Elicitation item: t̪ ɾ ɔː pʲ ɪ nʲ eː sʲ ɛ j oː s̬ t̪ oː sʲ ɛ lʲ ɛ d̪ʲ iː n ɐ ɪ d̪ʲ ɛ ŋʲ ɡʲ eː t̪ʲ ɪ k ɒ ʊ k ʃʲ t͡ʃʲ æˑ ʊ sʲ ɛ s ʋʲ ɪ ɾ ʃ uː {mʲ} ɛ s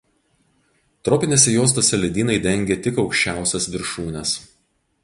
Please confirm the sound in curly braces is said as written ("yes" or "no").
no